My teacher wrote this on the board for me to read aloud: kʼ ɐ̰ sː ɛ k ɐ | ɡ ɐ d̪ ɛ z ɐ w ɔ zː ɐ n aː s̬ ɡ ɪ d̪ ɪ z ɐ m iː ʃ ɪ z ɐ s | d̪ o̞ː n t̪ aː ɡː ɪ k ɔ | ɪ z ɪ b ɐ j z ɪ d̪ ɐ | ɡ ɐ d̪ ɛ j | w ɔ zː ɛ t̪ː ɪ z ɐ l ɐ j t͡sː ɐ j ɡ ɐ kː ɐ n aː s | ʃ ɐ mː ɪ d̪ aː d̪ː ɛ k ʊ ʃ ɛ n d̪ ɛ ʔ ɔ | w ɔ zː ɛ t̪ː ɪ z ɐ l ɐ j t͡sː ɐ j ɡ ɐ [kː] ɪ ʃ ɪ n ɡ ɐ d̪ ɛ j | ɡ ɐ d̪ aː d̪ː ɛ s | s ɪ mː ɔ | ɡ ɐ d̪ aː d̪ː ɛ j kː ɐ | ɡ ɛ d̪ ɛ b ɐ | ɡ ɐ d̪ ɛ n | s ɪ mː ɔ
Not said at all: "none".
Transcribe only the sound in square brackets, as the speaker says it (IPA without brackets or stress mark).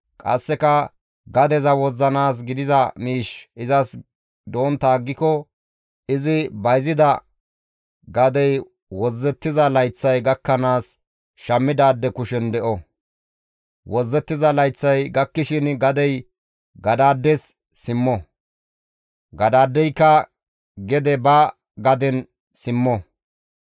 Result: kː